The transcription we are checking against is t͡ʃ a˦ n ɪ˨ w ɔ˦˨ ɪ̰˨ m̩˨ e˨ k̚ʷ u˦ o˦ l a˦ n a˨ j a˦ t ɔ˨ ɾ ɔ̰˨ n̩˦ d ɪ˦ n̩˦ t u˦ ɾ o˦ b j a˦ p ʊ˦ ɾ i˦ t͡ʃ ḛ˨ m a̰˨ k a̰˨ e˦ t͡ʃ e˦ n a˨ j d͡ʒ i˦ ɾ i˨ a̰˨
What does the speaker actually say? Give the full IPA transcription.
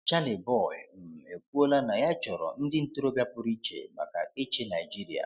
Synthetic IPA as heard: t͡ʃ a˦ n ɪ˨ b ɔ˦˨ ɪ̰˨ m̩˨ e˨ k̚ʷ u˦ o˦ l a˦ n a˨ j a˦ t͡ʃ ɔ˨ ɾ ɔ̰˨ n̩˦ d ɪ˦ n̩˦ t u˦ ɾ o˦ b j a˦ p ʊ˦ ɾ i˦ t͡ʃ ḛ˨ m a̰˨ k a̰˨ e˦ t͡ʃ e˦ n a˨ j d͡ʒ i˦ ɾ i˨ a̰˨